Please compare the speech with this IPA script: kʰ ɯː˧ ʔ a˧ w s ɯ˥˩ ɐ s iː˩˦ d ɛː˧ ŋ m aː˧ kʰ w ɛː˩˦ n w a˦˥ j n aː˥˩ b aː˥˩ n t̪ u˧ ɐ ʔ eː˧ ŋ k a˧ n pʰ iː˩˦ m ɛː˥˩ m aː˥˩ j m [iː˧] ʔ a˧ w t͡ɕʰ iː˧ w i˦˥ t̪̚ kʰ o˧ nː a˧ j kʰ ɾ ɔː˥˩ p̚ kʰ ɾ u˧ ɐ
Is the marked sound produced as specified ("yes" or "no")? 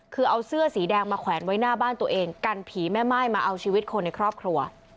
no